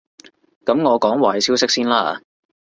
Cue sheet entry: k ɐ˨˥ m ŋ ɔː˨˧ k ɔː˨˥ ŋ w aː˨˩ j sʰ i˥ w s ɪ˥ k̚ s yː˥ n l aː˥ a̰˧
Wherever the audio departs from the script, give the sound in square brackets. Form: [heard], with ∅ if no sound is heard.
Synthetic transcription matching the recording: k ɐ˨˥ m ŋ ɔː˨˧ k ɔː˨˥ ŋ w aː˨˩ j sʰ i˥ w s ɪ˥ k̚ s [iː˥] n l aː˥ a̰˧